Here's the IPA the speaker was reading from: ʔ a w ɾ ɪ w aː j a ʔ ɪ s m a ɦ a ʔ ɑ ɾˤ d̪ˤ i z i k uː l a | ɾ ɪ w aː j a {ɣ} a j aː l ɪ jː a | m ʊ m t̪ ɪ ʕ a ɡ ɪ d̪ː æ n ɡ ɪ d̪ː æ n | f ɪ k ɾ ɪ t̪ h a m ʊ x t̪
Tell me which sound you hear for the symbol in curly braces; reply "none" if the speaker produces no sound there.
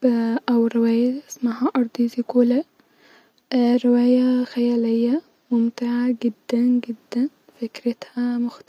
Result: x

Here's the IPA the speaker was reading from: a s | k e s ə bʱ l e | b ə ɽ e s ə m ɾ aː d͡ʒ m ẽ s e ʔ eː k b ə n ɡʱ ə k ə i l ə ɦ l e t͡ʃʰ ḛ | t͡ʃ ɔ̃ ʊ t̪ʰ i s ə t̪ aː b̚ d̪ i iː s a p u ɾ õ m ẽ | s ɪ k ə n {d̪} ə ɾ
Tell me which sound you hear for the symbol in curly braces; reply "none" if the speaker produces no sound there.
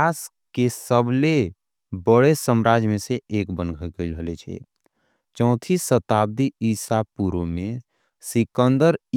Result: d̪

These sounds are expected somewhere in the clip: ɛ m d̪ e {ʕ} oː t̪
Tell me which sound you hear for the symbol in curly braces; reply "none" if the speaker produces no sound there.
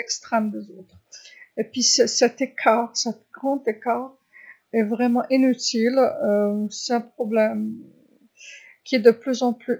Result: z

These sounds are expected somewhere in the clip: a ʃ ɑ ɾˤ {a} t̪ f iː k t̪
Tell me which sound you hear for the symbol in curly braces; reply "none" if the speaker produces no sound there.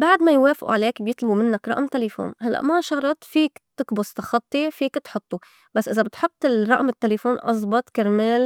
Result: ɑ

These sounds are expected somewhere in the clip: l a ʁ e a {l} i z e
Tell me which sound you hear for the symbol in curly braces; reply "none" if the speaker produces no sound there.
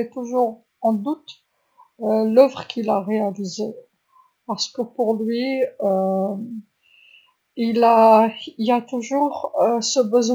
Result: l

